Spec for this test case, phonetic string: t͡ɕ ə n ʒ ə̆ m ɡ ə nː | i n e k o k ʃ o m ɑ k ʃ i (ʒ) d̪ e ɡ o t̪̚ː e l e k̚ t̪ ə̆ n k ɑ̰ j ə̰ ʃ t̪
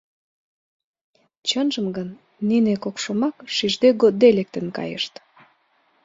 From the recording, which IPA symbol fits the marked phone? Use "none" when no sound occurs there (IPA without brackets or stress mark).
ʒ